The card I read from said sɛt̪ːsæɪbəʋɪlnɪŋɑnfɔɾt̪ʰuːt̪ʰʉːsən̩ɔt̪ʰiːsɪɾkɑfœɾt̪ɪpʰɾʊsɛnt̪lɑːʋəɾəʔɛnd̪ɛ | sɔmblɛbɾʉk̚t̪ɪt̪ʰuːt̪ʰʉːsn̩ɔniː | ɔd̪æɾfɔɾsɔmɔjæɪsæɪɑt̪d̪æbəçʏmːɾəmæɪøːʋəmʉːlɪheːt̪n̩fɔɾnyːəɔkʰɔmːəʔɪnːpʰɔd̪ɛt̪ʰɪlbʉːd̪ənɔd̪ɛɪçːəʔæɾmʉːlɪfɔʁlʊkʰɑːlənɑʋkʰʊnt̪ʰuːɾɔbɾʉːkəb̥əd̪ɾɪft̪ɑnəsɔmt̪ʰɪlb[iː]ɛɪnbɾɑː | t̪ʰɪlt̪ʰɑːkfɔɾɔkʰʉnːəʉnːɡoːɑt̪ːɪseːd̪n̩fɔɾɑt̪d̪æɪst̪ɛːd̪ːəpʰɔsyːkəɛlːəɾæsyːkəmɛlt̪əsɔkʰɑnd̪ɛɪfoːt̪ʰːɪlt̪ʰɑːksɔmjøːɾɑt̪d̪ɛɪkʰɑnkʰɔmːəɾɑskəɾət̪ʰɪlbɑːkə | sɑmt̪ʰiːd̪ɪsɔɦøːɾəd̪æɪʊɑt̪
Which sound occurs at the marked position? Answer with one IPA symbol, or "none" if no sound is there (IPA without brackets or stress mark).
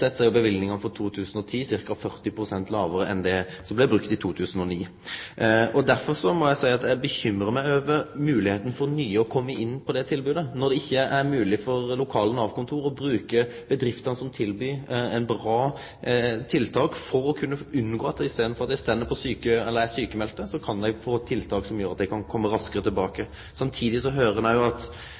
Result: yː